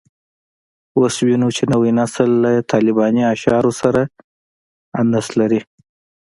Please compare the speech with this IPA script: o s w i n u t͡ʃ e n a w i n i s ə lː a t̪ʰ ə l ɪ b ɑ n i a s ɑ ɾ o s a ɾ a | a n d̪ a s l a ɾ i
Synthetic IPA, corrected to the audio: o s w i n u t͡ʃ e n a w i n a s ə lː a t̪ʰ ɑ l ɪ b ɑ n i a ʃ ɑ ɾ o s a ɾ a | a n d̪ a s l a ɾ i